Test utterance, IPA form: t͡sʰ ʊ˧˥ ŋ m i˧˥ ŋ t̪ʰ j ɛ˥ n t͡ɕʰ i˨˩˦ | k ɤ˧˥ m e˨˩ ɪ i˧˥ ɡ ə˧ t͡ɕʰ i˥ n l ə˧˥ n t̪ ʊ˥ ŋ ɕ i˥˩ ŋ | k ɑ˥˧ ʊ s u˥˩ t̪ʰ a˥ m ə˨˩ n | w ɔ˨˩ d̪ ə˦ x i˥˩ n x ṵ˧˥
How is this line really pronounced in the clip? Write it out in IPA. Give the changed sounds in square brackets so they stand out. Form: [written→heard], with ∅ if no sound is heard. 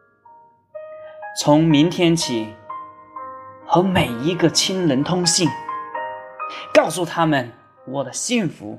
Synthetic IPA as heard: t͡sʰ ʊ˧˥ ŋ m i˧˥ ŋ t̪ʰ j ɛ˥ n t͡ɕʰ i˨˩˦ | [k→x] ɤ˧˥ m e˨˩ ɪ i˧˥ ɡ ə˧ t͡ɕʰ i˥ n l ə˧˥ n [t̪→t̪ʰ] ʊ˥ ŋ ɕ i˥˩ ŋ | k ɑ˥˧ ʊ s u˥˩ t̪ʰ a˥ m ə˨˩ n | w ɔ˨˩ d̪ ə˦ [x→ɕ] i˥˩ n [x→f] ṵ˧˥